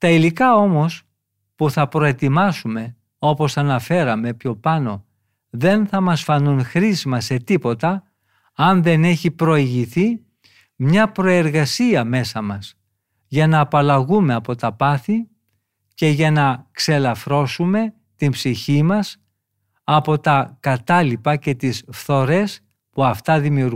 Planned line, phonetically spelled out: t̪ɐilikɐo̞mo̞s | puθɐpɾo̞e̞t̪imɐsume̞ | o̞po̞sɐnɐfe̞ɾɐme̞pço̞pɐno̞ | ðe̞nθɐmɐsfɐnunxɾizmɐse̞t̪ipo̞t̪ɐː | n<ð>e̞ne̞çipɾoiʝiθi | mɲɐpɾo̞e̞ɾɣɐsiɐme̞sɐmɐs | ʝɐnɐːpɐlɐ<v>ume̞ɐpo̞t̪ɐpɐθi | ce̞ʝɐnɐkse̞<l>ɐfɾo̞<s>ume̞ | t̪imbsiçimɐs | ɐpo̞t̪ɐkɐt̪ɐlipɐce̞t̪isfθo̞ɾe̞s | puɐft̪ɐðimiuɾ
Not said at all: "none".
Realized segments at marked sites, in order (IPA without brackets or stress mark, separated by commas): ð, ɣ, l, s